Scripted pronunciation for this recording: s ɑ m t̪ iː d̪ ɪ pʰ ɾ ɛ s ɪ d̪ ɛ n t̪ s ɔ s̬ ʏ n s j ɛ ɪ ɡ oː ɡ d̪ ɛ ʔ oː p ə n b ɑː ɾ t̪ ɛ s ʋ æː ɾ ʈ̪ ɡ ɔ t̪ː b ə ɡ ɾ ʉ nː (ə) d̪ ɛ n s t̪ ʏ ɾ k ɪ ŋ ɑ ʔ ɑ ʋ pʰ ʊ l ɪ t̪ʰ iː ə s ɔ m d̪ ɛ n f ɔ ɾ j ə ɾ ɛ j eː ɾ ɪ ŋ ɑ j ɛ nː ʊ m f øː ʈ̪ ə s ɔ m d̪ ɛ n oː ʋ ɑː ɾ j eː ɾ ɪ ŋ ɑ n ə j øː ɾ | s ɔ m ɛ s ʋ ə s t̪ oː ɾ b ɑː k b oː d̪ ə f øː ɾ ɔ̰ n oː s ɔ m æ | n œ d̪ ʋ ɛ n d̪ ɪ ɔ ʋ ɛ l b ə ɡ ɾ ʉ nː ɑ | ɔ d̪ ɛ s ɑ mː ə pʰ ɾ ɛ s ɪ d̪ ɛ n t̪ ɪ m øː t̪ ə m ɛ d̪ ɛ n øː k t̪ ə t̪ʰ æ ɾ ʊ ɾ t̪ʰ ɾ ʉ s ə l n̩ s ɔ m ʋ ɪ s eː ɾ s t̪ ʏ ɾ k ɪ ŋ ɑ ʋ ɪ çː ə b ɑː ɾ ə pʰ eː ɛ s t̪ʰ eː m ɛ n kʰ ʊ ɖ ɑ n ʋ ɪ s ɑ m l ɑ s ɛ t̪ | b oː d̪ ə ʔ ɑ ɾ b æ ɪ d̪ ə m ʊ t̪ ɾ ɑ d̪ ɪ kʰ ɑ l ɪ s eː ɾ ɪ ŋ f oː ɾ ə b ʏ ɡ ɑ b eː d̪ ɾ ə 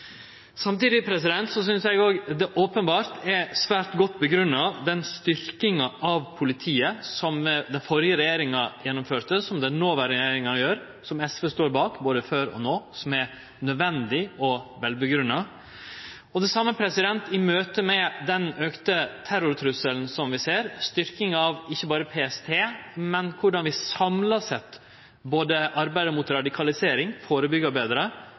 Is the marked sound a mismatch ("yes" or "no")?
yes